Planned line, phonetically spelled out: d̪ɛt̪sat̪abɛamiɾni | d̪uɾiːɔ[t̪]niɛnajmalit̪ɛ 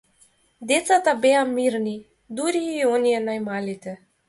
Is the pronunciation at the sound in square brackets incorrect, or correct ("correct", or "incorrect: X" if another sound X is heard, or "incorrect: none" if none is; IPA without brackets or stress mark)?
incorrect: none